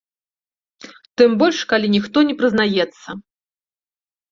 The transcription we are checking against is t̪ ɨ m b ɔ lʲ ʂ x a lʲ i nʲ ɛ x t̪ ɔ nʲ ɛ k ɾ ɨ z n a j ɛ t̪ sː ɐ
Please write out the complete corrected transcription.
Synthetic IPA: t̪ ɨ m b ɔ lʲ ʂ k a lʲ i nʲ i x t̪ ɔ nʲ ɛ p ɾ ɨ z n a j ɛ t̪ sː ɐ